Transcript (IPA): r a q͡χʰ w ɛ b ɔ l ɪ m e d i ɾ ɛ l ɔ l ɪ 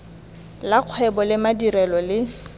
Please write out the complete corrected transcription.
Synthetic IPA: l a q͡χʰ w ɛ b ɔ l ɪ m a d i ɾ ɛ l ɔ l ɪ